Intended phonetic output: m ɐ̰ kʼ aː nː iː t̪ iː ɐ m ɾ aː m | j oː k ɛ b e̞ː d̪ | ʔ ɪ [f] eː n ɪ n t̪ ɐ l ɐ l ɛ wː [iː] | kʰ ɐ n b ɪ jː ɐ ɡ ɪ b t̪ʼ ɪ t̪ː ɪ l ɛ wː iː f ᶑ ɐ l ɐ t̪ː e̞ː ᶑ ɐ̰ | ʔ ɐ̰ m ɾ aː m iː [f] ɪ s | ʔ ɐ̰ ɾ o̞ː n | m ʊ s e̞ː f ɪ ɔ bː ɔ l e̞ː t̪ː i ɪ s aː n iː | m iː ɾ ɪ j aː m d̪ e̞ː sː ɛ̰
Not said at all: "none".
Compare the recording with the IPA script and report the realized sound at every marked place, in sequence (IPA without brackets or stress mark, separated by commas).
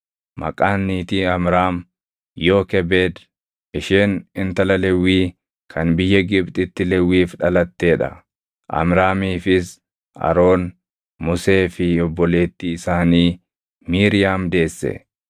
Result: ʃ, iː, f